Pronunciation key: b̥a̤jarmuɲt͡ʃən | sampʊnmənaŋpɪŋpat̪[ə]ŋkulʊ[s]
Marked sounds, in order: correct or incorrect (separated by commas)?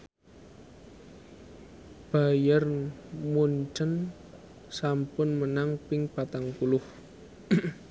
incorrect, incorrect